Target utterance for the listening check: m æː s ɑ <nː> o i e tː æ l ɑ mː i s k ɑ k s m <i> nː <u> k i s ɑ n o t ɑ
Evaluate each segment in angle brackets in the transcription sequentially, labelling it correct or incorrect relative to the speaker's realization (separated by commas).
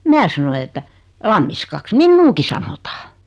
incorrect, correct, incorrect